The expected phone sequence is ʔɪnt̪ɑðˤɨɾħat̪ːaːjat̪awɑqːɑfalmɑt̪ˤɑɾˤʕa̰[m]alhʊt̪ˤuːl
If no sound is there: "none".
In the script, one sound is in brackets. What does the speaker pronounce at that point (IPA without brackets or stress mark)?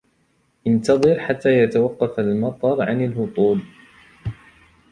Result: n